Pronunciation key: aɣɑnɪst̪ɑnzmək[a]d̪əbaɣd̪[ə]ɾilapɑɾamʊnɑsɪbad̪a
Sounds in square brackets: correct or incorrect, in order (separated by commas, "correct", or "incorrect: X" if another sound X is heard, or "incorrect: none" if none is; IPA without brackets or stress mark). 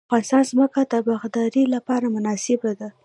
correct, incorrect: ɑ